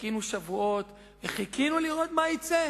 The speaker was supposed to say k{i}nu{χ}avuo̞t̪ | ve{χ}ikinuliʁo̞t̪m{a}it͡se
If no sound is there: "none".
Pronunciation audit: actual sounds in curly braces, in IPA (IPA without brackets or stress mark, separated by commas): i, ʃ, χ, a